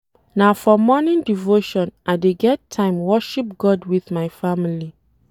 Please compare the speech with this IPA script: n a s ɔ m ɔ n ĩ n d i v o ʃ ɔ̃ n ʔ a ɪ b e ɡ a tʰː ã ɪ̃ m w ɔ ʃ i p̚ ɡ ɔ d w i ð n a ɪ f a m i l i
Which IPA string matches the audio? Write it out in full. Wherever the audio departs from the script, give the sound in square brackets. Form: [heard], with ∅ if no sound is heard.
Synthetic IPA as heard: n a [f] ɔ m ɔ n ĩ n d i v o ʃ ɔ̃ n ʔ a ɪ [d] e ɡ [ɛ] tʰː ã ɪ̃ m w ɔ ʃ i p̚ ɡ ɔ d w i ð [m] a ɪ f a m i l i